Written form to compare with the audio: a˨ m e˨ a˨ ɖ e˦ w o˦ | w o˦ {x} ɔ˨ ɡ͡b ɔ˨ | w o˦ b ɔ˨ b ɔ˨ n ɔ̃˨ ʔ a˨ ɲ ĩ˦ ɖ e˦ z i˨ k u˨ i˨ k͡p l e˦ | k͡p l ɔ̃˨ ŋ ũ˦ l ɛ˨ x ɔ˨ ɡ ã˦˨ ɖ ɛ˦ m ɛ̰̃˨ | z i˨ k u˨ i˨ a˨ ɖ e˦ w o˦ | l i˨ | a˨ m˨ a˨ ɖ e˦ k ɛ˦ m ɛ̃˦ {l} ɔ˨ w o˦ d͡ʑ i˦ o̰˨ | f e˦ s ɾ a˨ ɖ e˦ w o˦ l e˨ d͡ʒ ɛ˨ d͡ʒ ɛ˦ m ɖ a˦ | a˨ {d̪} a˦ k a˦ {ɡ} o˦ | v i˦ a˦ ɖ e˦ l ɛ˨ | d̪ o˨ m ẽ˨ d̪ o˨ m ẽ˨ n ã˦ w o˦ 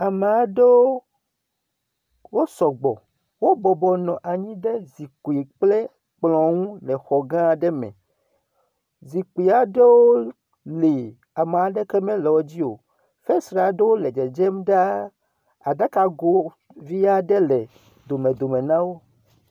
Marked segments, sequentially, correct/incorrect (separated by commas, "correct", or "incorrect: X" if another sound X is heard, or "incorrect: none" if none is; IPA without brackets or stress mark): incorrect: s, correct, correct, correct